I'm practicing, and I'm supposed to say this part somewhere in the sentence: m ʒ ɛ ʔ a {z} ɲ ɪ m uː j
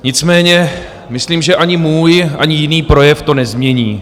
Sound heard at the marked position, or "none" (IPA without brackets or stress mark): none